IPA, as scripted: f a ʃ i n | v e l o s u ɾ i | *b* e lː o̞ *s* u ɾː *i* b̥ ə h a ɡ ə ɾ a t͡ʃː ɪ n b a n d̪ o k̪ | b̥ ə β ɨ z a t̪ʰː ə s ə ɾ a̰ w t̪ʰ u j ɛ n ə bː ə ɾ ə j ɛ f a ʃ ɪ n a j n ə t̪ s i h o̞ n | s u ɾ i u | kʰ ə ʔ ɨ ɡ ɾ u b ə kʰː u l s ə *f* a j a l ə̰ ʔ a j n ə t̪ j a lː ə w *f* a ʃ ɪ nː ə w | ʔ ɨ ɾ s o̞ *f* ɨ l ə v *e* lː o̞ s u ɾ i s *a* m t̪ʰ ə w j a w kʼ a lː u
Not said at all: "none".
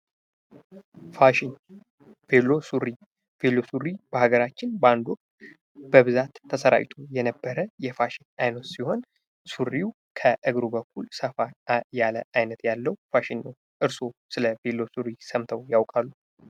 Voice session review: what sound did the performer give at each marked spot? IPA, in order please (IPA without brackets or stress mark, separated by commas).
v, s, i, f, f, s, e, ə